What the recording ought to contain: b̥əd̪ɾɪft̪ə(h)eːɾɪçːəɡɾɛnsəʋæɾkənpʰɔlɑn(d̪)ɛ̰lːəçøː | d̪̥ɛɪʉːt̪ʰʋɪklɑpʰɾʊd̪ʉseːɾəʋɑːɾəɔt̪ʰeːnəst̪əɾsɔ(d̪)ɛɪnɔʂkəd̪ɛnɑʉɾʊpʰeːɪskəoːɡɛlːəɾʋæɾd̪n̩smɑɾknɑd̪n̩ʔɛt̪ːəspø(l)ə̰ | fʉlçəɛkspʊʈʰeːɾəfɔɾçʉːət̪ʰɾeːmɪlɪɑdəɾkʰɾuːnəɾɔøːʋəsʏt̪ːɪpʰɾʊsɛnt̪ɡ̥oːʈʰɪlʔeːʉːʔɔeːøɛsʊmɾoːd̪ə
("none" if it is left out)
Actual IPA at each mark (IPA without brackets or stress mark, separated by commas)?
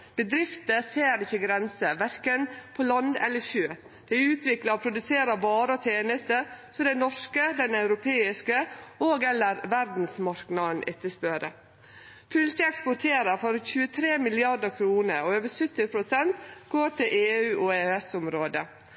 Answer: s, d̪, d̪, ɾ